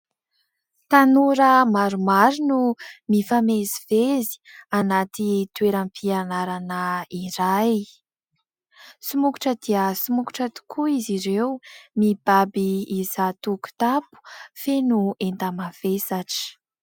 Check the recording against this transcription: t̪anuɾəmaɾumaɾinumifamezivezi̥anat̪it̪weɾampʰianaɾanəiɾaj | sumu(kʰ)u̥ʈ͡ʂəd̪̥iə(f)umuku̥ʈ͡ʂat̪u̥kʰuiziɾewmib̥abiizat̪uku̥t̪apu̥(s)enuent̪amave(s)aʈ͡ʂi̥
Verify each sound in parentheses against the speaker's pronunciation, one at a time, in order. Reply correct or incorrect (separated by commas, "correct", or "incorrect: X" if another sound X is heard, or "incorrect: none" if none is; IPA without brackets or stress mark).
incorrect: k, incorrect: s, incorrect: f, correct